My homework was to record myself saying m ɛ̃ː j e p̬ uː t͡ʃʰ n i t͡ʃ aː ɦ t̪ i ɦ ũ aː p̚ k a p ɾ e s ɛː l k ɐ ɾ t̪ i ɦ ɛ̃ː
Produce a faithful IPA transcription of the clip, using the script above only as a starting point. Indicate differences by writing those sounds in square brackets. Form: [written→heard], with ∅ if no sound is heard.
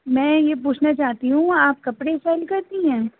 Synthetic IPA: m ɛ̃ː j e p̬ uː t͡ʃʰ n [i→a] t͡ʃ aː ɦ t̪ i ɦ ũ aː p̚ k [a→ɐ] p [ɾ→ɽ] e s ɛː l k ɐ ɾ t̪ i ɦ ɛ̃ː